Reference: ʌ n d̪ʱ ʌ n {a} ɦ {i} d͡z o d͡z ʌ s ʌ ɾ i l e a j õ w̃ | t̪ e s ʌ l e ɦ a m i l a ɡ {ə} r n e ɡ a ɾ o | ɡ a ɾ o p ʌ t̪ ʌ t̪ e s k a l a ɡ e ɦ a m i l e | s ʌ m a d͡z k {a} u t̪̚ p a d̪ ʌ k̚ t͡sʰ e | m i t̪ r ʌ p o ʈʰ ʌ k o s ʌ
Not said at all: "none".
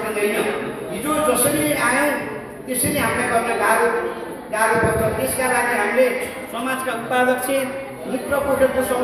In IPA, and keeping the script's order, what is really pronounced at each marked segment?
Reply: ʌ, i, ʌ, a

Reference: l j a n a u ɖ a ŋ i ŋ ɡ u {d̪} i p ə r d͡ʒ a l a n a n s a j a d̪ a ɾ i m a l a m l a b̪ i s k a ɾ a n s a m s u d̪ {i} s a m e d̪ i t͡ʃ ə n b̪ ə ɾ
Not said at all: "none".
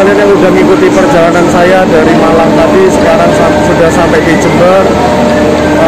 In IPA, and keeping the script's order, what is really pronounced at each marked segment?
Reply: t̪, a

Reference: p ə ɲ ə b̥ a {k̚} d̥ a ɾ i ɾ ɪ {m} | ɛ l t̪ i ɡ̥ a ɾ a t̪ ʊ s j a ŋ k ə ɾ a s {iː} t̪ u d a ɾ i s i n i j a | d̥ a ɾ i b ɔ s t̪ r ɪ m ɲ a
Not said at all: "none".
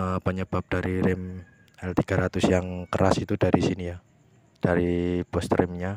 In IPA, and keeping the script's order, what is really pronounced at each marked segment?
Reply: p̚, m, i

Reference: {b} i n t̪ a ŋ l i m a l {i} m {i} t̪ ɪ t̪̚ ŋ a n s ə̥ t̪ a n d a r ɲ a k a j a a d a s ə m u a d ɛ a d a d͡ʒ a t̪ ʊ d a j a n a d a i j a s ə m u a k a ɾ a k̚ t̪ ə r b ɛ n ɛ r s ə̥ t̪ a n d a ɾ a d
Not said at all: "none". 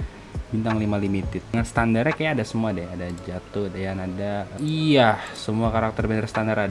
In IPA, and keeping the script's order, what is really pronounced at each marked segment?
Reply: b, i, i

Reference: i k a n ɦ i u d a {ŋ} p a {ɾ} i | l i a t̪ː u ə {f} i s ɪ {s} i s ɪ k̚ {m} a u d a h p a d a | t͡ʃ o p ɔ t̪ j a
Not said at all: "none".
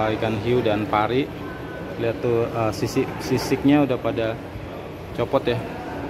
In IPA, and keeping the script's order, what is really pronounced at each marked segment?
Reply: n, ɾ, s, s, ɲ

